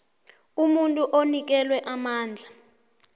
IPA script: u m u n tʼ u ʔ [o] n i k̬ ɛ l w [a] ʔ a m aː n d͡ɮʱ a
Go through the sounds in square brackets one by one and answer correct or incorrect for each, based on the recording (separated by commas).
correct, incorrect